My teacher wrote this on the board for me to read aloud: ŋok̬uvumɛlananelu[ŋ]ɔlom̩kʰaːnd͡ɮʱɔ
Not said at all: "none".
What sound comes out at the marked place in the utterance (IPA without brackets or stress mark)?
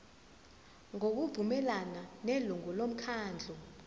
ŋ